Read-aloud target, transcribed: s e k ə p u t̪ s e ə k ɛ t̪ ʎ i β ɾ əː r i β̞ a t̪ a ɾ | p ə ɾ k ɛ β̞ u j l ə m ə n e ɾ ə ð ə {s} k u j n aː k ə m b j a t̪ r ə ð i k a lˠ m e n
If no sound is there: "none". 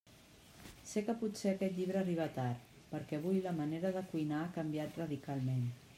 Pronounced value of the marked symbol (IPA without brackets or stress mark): none